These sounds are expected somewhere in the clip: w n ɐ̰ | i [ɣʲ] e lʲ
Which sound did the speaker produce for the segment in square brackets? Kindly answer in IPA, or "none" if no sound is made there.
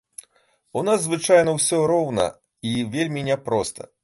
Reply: vʲ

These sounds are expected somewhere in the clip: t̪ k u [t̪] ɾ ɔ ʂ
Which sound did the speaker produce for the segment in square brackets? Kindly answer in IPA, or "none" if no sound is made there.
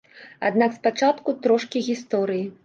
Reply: t̪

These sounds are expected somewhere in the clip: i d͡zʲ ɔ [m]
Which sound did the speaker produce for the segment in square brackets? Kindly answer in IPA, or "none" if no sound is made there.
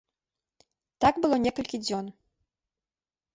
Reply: n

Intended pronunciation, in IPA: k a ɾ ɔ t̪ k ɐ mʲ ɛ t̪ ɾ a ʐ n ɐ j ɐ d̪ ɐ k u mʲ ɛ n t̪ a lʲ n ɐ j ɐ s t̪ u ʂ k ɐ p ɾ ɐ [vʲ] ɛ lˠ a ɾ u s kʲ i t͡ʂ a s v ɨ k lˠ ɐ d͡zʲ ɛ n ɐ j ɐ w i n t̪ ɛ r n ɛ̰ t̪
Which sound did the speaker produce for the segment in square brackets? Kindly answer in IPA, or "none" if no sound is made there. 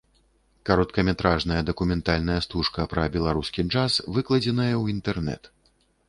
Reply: bʲ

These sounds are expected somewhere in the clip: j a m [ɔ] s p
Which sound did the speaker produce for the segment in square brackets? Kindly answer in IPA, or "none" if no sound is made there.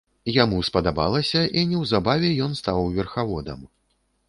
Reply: u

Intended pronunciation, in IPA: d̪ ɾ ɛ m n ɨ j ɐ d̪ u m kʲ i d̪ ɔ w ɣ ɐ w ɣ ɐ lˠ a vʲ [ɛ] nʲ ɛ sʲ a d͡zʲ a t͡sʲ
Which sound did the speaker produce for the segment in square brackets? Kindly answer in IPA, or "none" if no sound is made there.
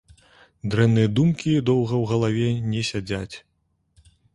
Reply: ɛ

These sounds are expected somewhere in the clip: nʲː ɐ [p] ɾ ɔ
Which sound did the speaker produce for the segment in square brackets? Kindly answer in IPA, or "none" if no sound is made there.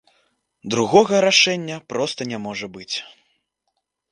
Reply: p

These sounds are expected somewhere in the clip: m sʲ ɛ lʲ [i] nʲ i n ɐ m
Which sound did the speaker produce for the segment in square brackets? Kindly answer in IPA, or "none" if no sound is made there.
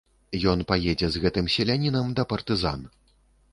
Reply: a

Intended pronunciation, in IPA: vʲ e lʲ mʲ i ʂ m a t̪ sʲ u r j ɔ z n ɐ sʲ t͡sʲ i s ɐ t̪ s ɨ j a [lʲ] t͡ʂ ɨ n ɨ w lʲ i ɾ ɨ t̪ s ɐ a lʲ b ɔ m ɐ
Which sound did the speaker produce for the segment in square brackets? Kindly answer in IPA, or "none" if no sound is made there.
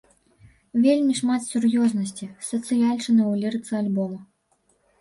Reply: lʲ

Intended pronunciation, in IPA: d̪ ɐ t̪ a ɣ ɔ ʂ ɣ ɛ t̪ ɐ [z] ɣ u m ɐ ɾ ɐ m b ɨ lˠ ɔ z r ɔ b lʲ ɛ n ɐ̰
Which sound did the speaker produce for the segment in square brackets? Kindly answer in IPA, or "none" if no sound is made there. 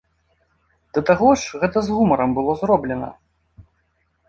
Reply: z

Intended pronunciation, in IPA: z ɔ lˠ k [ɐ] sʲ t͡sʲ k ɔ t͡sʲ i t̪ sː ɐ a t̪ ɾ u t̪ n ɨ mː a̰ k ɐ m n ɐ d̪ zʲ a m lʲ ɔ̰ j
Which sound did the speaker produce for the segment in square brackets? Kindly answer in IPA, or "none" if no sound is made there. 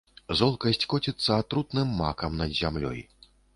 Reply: ɐ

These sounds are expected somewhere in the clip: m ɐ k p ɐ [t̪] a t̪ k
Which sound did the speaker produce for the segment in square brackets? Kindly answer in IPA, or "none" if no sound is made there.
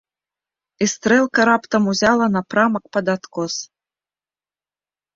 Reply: d̪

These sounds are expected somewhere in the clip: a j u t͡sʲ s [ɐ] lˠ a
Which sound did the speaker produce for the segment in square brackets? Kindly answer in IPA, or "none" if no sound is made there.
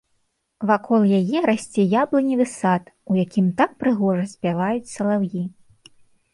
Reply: ɐ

